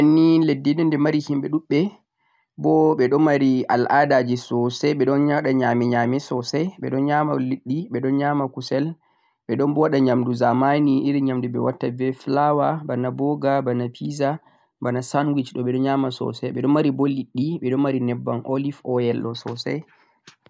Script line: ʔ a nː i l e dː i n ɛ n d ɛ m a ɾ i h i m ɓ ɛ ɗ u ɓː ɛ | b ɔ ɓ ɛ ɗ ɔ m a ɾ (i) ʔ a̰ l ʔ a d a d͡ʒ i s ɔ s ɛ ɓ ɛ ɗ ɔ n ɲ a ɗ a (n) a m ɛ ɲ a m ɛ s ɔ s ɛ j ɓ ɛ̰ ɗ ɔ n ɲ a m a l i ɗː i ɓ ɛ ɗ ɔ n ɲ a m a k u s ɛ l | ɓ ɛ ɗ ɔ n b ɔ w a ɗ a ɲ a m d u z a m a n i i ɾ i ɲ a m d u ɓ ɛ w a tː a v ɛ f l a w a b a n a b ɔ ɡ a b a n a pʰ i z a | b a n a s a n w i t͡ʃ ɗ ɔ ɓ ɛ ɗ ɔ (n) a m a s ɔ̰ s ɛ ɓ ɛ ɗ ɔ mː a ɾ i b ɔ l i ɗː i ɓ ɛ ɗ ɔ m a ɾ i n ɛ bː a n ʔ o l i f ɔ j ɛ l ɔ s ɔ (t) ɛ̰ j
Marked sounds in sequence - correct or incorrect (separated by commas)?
correct, incorrect, incorrect, incorrect